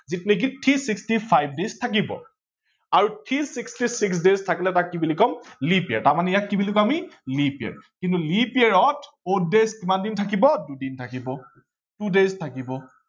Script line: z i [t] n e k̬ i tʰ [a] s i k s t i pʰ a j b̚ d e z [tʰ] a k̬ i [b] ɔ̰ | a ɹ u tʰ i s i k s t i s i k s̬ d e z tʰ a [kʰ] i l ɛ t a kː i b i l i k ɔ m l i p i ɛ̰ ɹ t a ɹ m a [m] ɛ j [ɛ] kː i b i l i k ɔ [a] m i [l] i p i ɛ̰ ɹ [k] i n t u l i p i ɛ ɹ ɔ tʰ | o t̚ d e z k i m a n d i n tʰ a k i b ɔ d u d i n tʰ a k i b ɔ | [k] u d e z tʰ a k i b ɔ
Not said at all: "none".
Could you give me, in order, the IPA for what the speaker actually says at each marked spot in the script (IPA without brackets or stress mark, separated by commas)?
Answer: t, i, tʰ, b, k, n, a, a, l, k, t